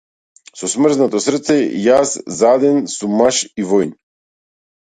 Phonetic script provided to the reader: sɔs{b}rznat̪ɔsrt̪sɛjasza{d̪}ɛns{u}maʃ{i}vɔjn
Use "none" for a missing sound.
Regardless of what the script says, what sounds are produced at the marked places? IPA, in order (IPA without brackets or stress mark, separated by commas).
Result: m, d̪, u, i